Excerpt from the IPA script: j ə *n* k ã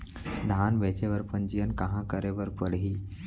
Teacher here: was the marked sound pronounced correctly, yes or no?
yes